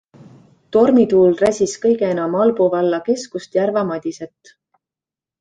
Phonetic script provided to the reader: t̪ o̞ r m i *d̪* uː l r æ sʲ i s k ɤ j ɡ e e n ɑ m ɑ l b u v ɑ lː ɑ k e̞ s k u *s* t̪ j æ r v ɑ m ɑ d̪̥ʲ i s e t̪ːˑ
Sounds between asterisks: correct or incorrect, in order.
incorrect: t̪, correct

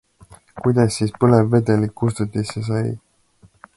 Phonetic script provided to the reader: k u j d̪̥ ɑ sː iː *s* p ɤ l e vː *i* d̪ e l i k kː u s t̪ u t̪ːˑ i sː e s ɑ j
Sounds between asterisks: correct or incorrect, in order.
correct, incorrect: e

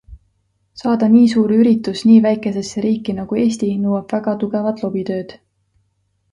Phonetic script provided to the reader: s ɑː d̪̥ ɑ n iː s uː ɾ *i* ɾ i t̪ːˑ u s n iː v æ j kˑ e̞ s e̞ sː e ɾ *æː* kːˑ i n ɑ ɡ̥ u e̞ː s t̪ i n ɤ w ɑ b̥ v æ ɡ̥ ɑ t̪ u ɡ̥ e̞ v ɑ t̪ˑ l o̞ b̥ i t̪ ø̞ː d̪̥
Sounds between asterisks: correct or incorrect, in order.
incorrect: y, incorrect: iː

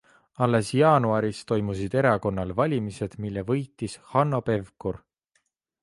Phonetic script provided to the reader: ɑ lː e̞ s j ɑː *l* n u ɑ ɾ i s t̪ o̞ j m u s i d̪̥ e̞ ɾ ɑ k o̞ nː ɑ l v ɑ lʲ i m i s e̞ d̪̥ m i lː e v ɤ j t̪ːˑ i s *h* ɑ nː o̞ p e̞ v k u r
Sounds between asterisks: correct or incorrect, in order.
incorrect: none, correct

